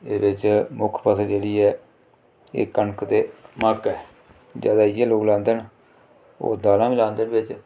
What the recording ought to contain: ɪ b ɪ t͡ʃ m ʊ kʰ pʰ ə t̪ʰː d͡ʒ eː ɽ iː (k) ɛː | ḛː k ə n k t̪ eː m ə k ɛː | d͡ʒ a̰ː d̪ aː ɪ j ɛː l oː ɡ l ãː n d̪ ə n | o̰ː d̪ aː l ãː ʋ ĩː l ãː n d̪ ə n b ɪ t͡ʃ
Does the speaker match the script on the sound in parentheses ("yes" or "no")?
no